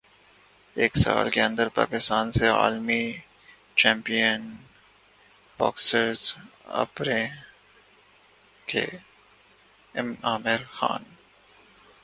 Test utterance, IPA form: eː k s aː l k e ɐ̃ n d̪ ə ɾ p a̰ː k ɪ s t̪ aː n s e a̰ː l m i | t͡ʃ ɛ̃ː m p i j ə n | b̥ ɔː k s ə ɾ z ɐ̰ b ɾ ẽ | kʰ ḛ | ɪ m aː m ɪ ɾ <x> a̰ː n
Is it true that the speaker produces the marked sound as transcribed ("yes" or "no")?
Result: yes